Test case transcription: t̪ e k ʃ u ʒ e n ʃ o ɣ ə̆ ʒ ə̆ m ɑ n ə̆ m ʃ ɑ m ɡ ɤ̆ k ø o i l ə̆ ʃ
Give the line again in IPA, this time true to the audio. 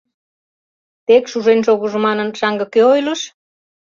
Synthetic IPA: t̪ e k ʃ u ʒ e n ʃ o ɣ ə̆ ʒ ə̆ m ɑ n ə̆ n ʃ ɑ ŋ ɡ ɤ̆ k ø o j l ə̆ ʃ